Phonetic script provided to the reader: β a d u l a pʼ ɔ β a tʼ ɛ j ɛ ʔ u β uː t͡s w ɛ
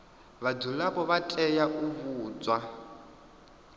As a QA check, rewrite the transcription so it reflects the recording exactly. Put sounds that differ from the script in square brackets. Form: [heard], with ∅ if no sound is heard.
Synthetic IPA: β a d u l a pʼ ɔ β a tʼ ɛ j [a] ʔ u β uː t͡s w [a]